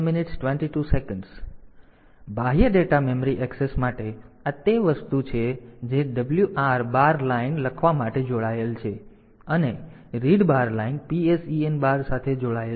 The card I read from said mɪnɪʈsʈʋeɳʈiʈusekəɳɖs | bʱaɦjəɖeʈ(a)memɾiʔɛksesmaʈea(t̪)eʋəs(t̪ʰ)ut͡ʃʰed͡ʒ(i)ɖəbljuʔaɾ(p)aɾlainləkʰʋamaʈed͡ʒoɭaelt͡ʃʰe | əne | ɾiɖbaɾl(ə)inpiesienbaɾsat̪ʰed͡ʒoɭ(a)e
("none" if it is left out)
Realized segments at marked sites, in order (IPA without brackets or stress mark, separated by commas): a, t̪, t̪, e, b, a, a